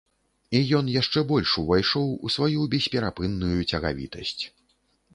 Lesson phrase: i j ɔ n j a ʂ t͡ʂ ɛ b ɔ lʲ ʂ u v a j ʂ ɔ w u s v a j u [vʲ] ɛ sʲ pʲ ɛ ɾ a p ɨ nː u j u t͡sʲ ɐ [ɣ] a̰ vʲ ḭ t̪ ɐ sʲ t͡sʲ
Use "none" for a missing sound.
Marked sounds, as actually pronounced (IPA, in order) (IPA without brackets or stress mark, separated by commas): bʲ, ɣ